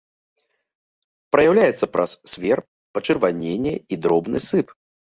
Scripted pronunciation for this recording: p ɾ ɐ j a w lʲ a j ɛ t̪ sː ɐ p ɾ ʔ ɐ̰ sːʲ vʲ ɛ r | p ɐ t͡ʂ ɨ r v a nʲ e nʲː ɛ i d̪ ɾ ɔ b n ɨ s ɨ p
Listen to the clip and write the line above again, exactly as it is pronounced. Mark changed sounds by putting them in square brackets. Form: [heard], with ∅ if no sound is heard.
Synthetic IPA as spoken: p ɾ ɐ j a w lʲ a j ɛ t̪ sː ɐ p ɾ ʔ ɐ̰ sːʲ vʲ ɛ r | p ɐ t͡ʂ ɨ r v a nʲ e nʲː ɛ i d̪ ɾ ɔ b n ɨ s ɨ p